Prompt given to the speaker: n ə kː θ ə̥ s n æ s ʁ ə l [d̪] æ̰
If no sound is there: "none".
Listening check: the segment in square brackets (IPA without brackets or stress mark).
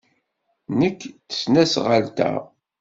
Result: t̪